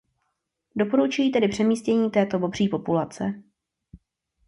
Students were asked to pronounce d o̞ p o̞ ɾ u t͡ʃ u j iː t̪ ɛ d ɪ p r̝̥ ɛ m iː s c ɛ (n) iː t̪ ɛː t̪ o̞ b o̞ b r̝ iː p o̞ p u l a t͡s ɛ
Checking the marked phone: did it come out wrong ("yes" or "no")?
yes